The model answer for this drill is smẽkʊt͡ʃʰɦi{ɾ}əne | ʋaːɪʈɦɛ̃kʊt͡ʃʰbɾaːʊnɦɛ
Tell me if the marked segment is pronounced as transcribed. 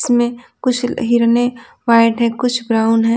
yes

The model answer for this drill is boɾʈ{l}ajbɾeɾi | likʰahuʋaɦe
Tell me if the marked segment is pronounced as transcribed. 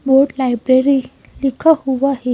yes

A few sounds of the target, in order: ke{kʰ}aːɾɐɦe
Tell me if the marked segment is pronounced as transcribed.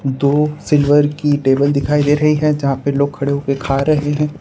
yes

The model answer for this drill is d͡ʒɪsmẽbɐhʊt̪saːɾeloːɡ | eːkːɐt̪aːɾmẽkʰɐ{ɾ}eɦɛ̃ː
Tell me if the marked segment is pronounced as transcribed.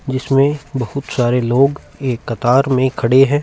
no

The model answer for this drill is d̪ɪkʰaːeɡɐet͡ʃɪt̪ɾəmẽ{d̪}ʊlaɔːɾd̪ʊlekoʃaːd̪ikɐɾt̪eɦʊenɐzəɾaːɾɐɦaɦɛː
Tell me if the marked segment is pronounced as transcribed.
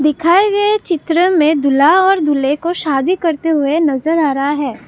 yes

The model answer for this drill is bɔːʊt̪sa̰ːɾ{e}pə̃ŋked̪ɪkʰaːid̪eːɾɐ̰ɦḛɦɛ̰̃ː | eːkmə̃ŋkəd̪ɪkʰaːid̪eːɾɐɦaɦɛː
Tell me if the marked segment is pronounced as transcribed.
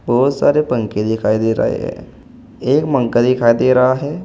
yes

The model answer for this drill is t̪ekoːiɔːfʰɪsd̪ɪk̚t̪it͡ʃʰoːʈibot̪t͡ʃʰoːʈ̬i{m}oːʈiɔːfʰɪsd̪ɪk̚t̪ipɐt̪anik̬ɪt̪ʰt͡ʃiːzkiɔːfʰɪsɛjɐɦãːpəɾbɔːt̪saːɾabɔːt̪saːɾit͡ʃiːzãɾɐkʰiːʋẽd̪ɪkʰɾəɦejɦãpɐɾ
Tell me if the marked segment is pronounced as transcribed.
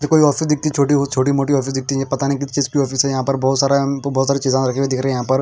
yes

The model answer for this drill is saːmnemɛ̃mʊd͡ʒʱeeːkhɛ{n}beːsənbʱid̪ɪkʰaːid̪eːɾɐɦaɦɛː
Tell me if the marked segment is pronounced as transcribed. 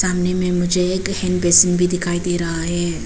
yes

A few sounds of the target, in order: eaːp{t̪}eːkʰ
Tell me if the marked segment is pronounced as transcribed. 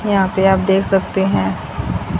no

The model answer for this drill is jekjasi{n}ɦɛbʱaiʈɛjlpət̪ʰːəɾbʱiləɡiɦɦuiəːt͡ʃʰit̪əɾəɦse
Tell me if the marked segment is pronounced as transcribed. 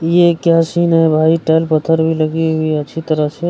yes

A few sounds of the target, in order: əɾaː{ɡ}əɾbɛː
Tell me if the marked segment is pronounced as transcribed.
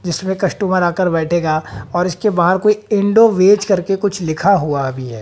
no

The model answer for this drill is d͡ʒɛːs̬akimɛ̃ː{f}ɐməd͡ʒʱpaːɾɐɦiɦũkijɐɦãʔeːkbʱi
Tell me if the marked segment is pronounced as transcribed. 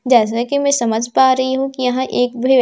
no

